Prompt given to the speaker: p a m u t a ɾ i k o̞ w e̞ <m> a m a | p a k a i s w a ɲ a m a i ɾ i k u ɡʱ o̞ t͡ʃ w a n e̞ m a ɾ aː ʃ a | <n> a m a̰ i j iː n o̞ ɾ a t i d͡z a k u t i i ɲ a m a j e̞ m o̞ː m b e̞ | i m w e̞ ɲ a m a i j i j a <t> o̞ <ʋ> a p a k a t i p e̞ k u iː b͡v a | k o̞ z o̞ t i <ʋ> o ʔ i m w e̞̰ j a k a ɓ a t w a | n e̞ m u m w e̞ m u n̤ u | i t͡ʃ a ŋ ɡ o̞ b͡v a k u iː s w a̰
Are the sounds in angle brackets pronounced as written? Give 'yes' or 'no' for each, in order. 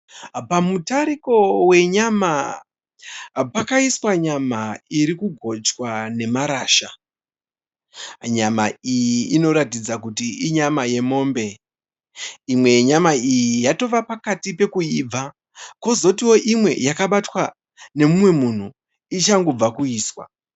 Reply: no, no, yes, yes, no

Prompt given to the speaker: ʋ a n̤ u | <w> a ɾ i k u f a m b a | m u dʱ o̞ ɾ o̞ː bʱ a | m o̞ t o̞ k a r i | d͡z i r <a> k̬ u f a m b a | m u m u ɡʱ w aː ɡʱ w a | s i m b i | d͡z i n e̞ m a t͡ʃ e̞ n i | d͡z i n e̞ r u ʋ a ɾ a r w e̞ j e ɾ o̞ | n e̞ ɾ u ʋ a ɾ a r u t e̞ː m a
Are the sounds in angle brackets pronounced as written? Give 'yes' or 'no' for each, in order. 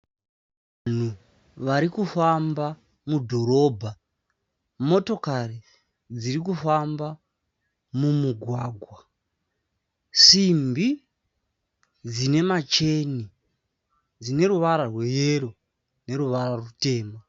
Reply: no, no

